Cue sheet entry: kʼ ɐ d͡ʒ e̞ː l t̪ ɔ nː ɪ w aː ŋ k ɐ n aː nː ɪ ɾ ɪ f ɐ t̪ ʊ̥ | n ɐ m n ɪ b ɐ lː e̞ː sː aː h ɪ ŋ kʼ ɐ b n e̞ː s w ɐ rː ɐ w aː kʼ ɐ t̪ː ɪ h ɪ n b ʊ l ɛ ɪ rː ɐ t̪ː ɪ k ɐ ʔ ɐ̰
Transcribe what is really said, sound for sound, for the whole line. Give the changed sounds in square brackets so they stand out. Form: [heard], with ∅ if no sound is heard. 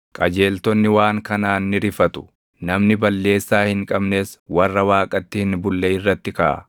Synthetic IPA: kʼ ɐ d͡ʒ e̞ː l t̪ ɔ nː ɪ w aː ŋ k ɐ n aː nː ɪ ɾ ɪ f ɐ t̪ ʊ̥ | n ɐ m n ɪ b ɐ lː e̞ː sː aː h ɪ ŋ kʼ ɐ b n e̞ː s w ɐ rː ɐ w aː kʼ ɐ t̪ː ɪ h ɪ n b ʊ [lː] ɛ ɪ rː ɐ t̪ː ɪ k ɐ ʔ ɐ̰